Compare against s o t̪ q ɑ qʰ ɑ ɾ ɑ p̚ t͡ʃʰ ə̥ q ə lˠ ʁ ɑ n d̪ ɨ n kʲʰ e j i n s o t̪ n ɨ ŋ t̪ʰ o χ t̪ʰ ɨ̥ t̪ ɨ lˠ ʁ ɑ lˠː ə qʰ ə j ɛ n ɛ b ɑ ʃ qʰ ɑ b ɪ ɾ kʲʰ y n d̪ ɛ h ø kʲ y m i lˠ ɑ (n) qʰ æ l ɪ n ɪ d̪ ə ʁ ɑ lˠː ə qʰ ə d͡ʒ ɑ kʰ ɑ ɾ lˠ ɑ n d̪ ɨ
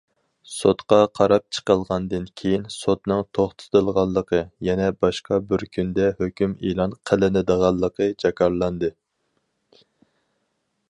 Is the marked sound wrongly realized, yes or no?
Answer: no